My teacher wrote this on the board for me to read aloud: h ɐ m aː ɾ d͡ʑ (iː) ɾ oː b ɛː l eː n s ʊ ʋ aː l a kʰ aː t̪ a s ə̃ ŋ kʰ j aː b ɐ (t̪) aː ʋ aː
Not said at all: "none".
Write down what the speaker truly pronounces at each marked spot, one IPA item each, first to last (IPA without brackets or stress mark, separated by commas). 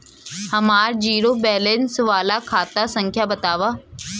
iː, t̪